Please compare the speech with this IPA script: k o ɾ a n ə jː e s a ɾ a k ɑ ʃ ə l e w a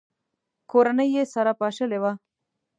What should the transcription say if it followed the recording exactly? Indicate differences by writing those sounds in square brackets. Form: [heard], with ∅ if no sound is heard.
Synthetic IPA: k o ɾ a n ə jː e s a ɾ a [p] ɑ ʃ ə l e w a